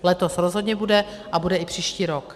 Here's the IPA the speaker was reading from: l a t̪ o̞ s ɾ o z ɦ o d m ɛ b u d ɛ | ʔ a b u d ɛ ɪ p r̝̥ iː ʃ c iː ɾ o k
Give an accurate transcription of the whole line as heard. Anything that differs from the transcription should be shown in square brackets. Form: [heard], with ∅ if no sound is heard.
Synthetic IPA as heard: l [ɛ] t̪ o̞ s ɾ o z ɦ o d [ɲ] ɛ b u d ɛ | ʔ a b u d ɛ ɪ p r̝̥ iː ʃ c iː ɾ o k